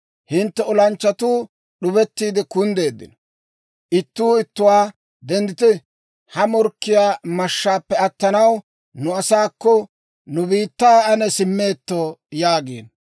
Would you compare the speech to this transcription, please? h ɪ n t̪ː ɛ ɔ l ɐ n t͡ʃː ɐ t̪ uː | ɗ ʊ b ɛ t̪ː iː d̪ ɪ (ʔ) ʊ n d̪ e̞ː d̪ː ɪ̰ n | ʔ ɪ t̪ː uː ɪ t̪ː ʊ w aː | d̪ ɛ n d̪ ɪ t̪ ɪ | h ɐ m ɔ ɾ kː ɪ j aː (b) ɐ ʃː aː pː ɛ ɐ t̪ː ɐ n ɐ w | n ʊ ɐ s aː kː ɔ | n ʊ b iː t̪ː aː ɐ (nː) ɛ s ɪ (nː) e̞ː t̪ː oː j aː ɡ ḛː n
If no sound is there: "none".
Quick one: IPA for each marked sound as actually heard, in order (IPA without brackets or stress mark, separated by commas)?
k, m, n, mː